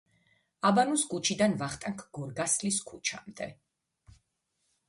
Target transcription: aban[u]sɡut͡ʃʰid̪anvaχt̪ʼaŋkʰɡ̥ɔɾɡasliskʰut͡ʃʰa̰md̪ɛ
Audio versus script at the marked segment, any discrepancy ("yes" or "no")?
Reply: no